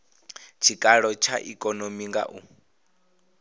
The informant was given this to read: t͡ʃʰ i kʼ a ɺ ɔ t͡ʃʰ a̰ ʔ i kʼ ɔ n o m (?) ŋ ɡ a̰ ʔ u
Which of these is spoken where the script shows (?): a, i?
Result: i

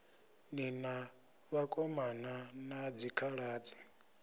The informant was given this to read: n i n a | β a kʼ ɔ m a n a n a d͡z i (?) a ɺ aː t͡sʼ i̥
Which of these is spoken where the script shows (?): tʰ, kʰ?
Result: kʰ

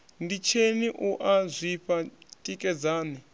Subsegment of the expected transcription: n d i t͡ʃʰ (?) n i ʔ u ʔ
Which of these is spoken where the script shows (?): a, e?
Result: e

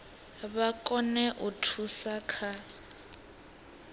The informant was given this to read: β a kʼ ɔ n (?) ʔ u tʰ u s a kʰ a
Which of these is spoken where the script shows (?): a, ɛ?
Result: ɛ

